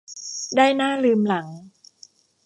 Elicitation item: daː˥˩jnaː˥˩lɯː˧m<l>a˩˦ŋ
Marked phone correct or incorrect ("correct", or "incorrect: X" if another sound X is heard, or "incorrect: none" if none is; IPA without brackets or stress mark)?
correct